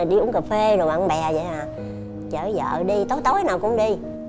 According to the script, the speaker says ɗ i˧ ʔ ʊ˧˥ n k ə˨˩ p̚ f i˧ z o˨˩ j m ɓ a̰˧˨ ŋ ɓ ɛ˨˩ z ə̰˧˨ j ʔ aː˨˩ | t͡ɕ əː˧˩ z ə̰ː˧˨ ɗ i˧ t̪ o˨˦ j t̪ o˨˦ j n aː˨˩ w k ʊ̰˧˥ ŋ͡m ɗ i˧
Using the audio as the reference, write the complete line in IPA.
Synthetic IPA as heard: ɗ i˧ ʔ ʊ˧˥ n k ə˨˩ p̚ f e˧ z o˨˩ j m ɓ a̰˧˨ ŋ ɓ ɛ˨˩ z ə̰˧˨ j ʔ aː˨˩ | t͡ɕ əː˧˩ z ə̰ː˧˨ ɗ i˧ t̪ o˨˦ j t̪ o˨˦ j n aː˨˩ w k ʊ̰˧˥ ŋ͡m ɗ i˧